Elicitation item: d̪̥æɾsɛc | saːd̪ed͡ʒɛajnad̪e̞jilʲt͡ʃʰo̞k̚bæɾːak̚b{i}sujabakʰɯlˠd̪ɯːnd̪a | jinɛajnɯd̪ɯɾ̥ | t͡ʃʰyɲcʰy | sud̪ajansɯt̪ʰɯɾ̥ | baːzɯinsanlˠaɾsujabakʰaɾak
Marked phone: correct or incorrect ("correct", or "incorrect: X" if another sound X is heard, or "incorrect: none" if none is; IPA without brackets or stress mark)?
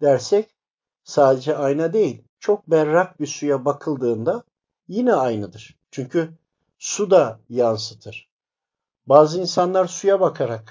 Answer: correct